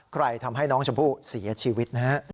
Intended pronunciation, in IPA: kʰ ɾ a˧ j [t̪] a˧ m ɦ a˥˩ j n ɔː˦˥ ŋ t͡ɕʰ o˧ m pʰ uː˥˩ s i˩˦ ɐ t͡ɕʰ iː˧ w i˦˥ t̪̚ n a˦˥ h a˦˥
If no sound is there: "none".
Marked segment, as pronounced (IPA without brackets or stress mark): t̪ʰ